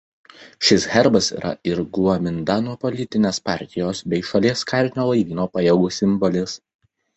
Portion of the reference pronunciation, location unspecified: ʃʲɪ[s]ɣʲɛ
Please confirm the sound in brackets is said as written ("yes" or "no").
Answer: yes